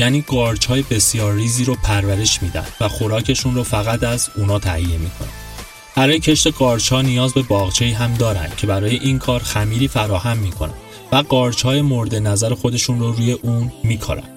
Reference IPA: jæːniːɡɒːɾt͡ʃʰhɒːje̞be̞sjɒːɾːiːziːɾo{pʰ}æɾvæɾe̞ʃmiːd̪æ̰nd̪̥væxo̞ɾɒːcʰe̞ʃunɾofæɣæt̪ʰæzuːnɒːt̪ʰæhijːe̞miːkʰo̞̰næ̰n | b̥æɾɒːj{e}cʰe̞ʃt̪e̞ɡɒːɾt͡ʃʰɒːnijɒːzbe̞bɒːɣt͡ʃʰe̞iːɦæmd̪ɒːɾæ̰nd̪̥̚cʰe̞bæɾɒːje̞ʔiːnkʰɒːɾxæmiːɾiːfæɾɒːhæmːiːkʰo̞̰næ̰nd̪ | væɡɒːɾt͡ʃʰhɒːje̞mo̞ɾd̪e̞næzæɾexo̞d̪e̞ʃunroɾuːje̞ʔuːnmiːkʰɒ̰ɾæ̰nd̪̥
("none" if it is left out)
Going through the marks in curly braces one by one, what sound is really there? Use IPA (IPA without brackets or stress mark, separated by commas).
pʰ, e